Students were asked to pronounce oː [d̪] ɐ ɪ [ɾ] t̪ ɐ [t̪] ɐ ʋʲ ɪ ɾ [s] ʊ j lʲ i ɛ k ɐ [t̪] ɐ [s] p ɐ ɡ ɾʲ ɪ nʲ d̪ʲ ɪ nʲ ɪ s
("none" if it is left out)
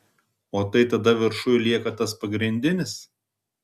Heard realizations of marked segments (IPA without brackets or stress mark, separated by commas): t̪, none, d̪, ʃ, t̪, s